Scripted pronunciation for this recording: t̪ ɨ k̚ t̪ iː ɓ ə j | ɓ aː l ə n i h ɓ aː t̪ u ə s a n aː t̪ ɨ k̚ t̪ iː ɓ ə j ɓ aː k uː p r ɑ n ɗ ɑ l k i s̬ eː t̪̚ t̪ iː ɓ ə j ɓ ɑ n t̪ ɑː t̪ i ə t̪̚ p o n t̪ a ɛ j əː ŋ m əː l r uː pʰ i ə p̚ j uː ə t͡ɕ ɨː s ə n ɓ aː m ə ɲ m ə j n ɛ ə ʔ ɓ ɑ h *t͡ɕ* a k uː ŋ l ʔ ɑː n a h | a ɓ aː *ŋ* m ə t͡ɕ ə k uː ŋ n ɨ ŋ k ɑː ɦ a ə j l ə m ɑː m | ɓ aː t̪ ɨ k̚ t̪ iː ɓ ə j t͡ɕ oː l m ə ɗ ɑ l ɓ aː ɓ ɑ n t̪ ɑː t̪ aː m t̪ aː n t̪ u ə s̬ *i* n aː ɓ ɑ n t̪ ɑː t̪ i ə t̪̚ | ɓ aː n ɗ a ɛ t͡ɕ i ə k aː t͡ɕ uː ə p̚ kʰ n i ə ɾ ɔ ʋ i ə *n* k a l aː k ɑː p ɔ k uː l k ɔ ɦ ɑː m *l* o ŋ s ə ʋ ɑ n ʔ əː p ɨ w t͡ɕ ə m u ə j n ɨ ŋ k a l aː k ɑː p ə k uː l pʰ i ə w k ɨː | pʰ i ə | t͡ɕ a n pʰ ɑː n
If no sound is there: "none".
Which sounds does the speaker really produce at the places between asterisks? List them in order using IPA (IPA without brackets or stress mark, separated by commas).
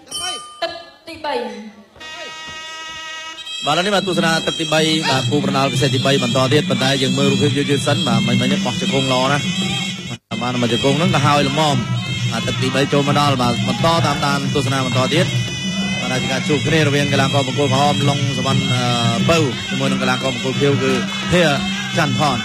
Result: t͡ɕ, n, a, ŋ, l